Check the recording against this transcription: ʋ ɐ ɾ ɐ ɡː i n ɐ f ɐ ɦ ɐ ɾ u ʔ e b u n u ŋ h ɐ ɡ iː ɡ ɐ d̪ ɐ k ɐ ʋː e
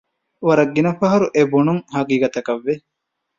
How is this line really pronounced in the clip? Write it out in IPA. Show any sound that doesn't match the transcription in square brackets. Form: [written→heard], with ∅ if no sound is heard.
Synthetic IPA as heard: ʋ ɐ ɾ ɐ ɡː i n ɐ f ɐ ɦ ɐ ɾ u ʔ e b u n u ŋ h ɐ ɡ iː ɡ ɐ [d̪→t̪] ɐ k ɐ ʋː e